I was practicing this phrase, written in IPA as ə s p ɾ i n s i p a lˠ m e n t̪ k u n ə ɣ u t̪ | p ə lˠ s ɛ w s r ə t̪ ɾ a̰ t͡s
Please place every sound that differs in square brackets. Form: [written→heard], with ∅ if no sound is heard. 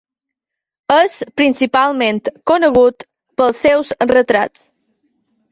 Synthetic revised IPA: ə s p ɾ i n s i p a lˠ m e n t̪ k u n ə ɣ u t̪ | p ə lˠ s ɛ w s r ə t̪ ɾ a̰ t͡s